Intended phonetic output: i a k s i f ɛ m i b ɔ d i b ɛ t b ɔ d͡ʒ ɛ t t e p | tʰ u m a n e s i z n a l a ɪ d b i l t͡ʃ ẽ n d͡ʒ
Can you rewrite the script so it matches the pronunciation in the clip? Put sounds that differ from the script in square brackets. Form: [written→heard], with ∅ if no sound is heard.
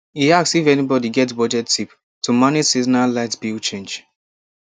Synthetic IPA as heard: i a k s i f ɛ [m→n] i b ɔ d i [b→ɡ] ɛ t b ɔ d͡ʒ ɛ t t [e→i] p | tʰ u m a n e s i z n a l a ɪ [d→t] b i l t͡ʃ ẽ n d͡ʒ